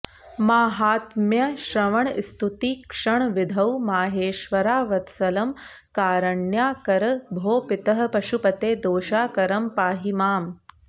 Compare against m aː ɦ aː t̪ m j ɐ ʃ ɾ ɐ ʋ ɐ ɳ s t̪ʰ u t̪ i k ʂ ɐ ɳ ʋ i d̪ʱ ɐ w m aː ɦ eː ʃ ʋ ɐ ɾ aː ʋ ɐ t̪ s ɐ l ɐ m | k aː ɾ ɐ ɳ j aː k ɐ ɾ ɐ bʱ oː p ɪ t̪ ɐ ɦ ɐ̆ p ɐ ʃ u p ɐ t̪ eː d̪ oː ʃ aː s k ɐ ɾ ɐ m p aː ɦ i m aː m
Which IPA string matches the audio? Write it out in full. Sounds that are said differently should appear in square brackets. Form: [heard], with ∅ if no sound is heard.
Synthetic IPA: m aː ɦ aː t̪ m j ɐ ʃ ɾ ɐ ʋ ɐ ɳ s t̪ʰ u t̪ i k ʂ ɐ ɳ ʋ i d̪ʱ ɐ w m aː ɦ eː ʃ ʋ ɐ ɾ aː ʋ ɐ t̪ s ɐ l ɐ m | k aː ɾ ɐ ɳ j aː k ɐ ɾ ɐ bʱ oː p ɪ t̪ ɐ ɦ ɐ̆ p ɐ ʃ u p ɐ t̪ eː d̪ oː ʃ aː [∅] k ɐ ɾ ɐ m p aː ɦ i m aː m